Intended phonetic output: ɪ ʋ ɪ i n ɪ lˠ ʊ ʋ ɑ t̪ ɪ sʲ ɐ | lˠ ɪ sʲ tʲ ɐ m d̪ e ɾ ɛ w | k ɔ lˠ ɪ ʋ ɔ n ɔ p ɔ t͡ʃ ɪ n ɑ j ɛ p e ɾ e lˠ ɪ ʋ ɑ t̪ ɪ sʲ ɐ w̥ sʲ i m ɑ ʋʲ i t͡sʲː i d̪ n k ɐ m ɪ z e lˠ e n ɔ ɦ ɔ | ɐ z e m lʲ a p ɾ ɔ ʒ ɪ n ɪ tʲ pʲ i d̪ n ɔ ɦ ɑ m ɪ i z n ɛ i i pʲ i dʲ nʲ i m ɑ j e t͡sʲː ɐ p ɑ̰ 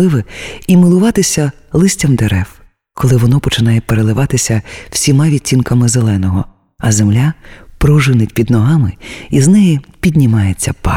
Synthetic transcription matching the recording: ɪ ʋ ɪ i m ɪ lˠ ʊ ʋ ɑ t̪ ɪ sʲ ɐ | lˠ ɪ sʲ tʲ ɐ m d̪ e ɾ ɛ w | k ɔ lˠ ɪ ʋ ɔ n ɔ p ɔ t͡ʃ ɪ n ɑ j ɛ p e ɾ e lˠ ɪ ʋ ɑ t̪ ɪ sʲ ɐ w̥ sʲ i m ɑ ʋʲ i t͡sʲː i n k ɐ m ɪ z e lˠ ɛ n ɔ ɦ ɔ | ɐ z e m lʲ a p ɾ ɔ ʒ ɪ n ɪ tʲ pʲ i d̪ n ɔ ɦ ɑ m ɪ i z n ɛ j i pʲ i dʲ nʲ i m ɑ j e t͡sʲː ɐ p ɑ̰